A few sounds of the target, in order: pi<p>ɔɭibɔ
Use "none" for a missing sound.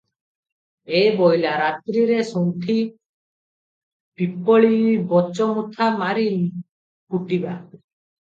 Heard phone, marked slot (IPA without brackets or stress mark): p